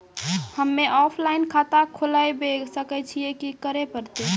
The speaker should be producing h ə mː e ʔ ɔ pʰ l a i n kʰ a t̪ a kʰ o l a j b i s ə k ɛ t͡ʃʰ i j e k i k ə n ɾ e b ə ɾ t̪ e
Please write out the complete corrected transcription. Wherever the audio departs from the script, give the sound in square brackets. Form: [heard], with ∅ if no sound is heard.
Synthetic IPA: h ə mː e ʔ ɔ pʰ l a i n kʰ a t̪ a kʰ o l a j b [e] s ə k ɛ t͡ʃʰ i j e k i k ə [∅] ɾ e [p] ə ɾ t̪ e